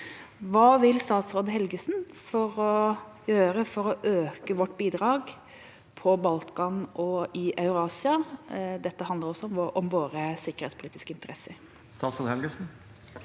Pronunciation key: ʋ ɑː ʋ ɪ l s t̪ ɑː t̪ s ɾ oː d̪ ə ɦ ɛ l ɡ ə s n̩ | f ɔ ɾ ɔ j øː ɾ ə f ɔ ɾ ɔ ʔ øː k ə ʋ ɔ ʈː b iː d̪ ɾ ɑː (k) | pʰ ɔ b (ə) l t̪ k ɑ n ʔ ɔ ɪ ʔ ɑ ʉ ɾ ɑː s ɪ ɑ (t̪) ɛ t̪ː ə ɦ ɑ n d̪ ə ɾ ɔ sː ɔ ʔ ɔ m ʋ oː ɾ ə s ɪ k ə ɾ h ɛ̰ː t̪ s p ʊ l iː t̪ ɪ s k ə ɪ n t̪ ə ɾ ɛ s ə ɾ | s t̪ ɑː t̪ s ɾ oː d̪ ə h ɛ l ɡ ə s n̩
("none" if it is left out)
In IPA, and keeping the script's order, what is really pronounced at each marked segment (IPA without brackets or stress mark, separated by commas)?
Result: ɡ, ɑ, d̪